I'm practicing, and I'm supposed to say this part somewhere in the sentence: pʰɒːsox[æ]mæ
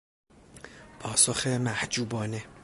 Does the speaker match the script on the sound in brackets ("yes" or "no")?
no